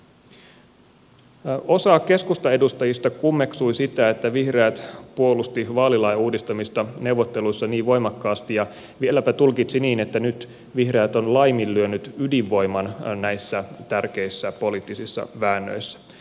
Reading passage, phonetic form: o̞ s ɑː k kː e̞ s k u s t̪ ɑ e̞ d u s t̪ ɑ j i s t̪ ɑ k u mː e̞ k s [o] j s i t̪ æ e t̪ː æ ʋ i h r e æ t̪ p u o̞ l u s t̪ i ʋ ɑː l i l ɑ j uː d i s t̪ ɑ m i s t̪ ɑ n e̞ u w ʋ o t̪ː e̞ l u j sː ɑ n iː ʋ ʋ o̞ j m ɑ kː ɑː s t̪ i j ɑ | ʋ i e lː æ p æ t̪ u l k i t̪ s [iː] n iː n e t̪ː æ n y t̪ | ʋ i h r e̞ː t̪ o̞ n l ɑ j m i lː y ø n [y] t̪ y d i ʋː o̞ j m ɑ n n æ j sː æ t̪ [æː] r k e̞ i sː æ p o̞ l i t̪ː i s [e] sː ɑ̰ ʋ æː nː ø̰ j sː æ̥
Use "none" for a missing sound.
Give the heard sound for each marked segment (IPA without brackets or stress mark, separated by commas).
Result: u, i, y, æ, i